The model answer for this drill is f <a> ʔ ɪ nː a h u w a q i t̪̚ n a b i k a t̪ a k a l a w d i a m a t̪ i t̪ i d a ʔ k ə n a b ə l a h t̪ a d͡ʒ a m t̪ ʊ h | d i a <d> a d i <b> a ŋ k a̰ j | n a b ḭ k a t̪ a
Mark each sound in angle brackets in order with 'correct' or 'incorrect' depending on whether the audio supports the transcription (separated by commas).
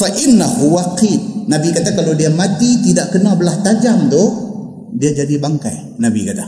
correct, incorrect, correct